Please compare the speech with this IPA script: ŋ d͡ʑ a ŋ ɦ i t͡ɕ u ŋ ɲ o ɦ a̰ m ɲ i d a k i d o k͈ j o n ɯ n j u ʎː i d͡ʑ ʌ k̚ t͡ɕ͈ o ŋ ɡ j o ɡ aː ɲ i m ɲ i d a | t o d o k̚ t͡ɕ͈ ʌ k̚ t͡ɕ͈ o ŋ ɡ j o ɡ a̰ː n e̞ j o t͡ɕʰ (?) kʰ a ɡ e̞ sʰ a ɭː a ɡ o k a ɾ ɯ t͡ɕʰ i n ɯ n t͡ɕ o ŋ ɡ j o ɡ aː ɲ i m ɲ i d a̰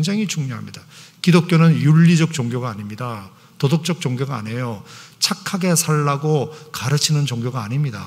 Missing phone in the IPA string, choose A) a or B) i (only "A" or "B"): A